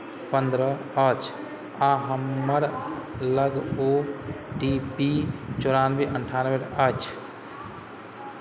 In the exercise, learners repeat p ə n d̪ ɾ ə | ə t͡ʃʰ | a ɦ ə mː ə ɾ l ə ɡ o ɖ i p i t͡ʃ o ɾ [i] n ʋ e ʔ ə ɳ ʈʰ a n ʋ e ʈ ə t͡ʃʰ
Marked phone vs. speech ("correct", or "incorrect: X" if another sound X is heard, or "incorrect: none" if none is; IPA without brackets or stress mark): incorrect: a